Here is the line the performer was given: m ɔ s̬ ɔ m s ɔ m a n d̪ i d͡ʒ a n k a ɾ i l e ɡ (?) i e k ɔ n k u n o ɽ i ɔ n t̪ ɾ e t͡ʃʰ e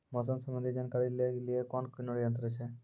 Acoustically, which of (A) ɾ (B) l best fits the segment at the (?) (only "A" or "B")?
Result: B